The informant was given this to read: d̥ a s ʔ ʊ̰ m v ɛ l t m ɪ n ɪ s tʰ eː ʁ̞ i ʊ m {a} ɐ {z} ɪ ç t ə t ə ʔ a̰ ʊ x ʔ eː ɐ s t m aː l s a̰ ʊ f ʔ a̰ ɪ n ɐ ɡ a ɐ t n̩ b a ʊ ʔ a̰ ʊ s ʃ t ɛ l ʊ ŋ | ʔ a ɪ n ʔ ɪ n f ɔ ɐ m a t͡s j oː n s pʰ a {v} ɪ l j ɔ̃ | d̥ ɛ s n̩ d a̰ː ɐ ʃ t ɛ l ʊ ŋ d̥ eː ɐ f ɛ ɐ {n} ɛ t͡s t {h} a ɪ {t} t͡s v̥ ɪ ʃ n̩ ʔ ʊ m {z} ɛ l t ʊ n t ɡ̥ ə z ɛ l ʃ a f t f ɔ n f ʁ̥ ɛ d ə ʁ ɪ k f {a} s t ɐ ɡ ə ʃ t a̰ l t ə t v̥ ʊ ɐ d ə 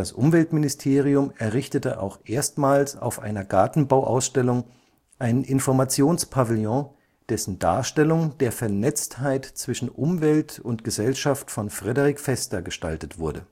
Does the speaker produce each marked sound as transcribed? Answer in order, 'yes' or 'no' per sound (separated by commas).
no, no, yes, yes, yes, yes, no, no